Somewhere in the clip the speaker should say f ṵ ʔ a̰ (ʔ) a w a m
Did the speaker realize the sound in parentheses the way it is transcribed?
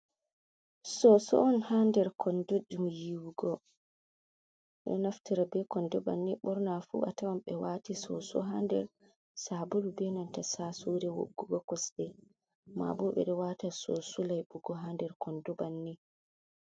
no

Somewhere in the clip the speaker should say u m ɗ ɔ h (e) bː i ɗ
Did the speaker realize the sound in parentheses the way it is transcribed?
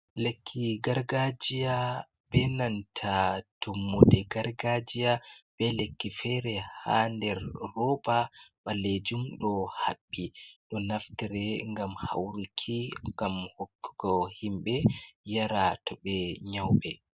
no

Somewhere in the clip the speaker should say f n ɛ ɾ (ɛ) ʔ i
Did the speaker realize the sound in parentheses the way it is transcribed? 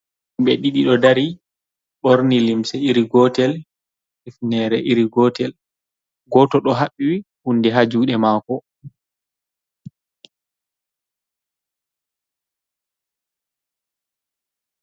yes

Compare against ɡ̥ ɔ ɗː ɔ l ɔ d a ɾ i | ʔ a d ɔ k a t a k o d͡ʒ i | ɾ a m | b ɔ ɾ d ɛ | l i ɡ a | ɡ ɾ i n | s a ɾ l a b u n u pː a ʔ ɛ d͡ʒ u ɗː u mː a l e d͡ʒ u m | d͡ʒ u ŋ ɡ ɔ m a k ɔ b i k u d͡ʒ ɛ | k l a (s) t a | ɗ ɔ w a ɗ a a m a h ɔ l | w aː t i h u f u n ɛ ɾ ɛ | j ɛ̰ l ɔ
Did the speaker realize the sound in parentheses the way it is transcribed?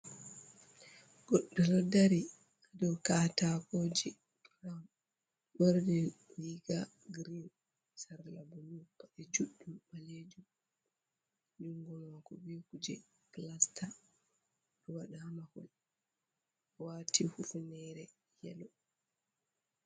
yes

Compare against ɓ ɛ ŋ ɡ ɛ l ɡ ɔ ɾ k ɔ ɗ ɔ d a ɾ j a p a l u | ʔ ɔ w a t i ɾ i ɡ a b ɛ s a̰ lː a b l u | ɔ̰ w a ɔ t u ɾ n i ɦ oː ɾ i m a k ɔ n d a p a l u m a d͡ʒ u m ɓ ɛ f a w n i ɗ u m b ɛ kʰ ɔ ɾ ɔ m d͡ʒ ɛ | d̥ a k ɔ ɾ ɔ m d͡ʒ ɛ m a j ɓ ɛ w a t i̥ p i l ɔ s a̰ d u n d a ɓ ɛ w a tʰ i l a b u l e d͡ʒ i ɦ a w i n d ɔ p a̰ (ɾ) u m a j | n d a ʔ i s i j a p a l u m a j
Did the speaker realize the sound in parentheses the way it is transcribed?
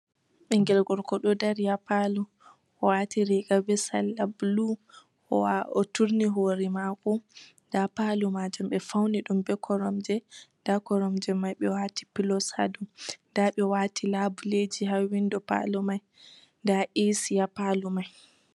no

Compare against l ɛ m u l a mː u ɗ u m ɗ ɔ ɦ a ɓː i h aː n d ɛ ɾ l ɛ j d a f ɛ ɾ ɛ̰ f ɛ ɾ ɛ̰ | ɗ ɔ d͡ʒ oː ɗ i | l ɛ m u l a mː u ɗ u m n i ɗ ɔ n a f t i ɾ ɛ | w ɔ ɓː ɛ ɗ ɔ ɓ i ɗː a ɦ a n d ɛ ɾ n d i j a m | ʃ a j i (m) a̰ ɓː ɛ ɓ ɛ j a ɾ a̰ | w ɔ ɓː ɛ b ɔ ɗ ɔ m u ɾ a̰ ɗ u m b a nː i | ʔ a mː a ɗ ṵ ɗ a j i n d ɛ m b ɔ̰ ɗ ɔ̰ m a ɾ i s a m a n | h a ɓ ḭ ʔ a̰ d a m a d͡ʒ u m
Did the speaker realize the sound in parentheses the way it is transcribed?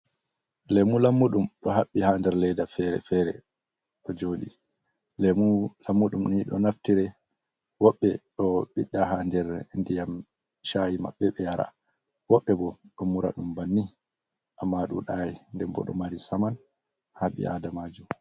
yes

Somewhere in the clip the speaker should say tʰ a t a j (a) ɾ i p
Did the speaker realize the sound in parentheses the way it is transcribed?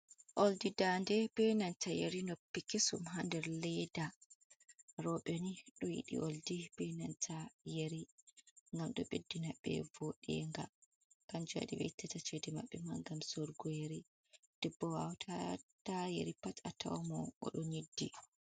no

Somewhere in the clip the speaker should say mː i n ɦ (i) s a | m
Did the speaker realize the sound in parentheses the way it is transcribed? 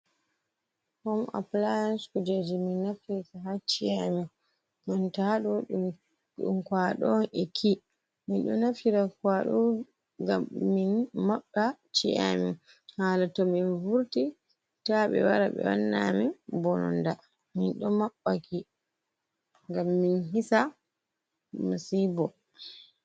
yes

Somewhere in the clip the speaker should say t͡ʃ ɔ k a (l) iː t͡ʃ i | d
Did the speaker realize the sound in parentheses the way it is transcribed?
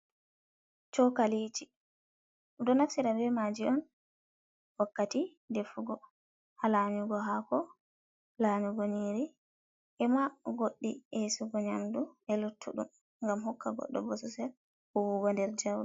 yes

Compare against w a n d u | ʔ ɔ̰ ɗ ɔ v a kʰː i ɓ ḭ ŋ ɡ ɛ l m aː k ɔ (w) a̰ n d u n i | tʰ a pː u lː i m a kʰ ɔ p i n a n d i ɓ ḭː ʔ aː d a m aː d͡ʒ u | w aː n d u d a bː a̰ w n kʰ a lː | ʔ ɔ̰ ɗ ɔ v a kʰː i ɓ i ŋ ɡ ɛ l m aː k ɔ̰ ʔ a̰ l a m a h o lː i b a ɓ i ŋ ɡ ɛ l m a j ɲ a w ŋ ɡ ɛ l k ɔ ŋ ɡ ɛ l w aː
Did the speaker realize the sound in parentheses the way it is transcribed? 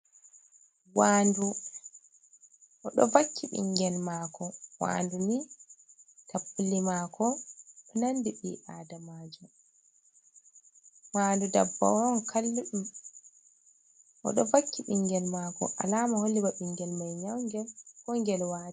yes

